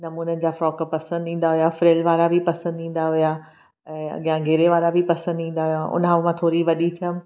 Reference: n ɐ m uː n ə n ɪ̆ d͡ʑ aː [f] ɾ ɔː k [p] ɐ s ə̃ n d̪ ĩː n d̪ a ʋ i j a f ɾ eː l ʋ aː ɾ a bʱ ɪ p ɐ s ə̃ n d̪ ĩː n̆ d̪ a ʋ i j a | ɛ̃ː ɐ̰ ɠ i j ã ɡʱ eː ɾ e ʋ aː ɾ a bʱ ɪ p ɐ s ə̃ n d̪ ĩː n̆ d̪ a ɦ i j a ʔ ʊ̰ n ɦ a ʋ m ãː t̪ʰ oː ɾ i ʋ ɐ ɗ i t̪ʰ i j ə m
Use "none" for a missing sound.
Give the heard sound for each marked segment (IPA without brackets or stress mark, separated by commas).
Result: f, p